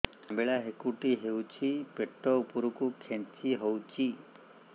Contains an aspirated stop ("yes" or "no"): yes